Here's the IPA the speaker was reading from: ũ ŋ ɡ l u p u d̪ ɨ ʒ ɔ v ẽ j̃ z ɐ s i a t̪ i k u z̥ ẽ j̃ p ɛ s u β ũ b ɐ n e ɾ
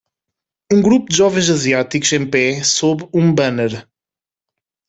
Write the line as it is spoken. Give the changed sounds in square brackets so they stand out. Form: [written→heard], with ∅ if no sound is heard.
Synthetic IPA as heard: ũ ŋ ɡ [l→ɾ] u p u d̪ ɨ ʒ ɔ v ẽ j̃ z ɐ [s→z] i a t̪ i k u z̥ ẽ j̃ p ɛ s [u→o] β ũ b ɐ n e ɾ